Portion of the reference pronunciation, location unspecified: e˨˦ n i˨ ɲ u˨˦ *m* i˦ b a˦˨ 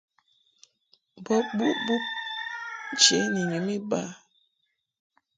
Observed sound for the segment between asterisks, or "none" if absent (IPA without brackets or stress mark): m